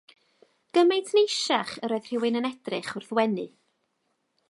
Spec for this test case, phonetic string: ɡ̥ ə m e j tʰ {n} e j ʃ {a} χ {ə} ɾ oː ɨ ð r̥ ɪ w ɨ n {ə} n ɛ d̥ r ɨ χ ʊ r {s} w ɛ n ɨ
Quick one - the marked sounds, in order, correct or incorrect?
correct, correct, correct, correct, incorrect

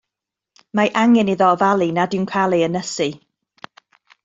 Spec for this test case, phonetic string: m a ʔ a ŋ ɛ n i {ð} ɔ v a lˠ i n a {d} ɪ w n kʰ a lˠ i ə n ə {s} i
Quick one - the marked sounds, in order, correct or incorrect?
correct, correct, correct

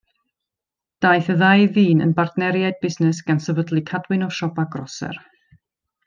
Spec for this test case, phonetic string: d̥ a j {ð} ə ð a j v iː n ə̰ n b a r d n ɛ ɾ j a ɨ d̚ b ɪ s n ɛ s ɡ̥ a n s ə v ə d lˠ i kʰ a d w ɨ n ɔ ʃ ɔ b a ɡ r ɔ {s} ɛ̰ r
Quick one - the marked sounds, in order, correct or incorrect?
incorrect, correct

